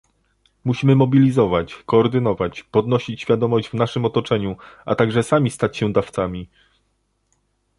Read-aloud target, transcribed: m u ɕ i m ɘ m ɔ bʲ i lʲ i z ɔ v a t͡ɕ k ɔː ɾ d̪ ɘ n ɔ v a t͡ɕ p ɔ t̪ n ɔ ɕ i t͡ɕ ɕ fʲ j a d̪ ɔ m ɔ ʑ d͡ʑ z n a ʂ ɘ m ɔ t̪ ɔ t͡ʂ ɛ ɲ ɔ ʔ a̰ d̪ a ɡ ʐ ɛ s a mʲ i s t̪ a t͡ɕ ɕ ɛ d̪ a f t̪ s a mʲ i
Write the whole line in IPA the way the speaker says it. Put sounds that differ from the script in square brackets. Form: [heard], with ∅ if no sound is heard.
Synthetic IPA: m u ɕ i m ɘ m ɔ bʲ i lʲ i z ɔ v a t͡ɕ k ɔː ɾ d̪ ɘ n ɔ v a t͡ɕ p ɔ [d̪] n ɔ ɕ i t͡ɕ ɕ fʲ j a d̪ ɔ m ɔ ʑ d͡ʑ [v] n a ʂ ɘ m ɔ t̪ ɔ t͡ʂ ɛ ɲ [u] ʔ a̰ [t̪] a ɡ ʐ ɛ s a mʲ i s t̪ a t͡ɕ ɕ ɛ d̪ a f t̪ s a mʲ i